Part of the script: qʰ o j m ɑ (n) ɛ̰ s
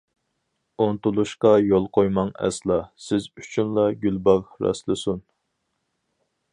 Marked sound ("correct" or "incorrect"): incorrect